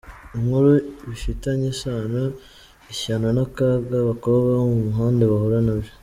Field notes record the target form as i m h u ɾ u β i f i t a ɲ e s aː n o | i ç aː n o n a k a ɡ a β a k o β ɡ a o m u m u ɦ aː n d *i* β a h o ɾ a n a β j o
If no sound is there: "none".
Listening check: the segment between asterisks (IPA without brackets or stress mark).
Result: e